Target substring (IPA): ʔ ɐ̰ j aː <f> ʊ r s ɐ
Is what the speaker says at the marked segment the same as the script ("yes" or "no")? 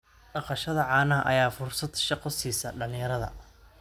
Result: yes